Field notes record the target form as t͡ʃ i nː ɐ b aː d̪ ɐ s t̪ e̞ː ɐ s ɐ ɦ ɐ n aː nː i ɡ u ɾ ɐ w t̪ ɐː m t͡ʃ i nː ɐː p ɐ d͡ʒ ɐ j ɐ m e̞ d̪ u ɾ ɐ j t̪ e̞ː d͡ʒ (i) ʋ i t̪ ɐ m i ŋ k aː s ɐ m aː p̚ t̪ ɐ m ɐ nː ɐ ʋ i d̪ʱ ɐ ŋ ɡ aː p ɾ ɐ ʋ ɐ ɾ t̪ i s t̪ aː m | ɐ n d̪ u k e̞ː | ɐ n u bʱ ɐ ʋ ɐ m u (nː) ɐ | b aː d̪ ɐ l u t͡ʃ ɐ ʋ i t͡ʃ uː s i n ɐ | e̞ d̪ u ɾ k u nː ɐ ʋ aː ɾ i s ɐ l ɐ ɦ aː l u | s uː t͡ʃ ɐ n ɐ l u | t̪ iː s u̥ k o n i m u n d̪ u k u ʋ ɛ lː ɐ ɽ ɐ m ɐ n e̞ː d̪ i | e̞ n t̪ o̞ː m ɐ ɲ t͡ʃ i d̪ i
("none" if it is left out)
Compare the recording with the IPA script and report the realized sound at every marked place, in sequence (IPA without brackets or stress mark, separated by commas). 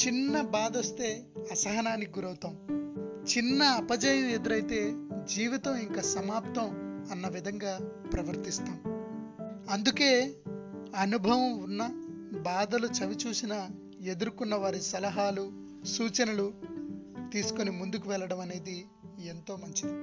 iː, nː